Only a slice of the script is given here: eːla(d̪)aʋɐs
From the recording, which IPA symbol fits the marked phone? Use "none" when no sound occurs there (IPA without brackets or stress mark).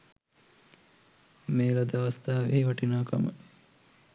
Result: d̪